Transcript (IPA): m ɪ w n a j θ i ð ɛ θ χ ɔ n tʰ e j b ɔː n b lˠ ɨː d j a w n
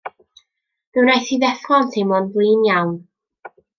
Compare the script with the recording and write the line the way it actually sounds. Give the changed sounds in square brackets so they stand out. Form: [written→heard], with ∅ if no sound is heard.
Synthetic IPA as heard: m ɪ w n a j θ i ð ɛ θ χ ɔ n tʰ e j [b→m] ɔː n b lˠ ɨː [d→n] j a w n